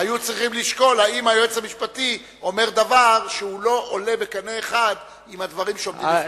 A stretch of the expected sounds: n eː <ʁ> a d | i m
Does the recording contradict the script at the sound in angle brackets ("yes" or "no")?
yes